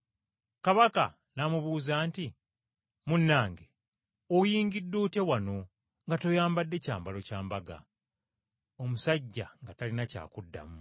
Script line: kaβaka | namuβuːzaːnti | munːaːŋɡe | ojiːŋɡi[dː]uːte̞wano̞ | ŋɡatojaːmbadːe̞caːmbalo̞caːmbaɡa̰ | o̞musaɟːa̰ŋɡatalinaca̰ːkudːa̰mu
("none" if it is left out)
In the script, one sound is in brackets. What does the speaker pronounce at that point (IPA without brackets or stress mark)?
dː